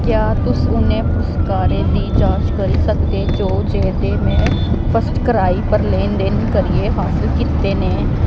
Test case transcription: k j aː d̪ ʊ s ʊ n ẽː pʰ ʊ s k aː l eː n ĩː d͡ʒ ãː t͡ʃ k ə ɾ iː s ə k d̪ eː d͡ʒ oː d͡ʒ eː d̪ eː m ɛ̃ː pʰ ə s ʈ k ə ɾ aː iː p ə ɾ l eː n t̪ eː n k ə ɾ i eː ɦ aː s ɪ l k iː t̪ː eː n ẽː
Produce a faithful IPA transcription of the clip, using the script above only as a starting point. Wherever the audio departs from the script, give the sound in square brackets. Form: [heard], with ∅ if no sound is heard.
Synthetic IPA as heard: k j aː [t̪] ʊ s ʊ n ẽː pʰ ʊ s k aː [ɾ] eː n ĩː d͡ʒ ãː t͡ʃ k ə ɾ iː s ə k d̪ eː d͡ʒ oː d͡ʒ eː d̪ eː m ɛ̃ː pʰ ə s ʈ k ə ɾ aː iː p ə ɾ l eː n [d̪] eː n k ə ɾ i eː ɦ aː s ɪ l k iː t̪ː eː n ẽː

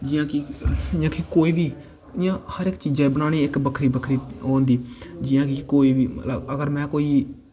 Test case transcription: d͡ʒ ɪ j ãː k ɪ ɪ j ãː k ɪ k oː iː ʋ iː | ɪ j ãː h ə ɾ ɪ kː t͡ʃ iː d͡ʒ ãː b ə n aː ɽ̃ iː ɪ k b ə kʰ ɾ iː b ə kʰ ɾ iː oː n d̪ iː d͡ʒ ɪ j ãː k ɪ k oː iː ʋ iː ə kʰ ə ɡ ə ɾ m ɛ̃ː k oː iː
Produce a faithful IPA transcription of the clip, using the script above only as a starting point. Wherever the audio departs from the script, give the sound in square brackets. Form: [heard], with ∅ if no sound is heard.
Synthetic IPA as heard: d͡ʒ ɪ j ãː k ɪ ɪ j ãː k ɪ k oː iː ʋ iː | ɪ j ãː h ə ɾ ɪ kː t͡ʃ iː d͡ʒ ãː b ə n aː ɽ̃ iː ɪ k b ə kʰ ɾ iː b ə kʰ ɾ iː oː n d̪ iː d͡ʒ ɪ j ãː k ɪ k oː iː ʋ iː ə [∅] ə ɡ ə ɾ m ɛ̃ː k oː iː

